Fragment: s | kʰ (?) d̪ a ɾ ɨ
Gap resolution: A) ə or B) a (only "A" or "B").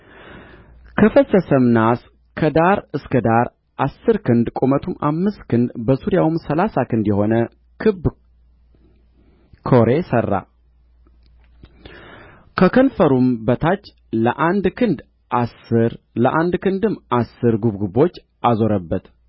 A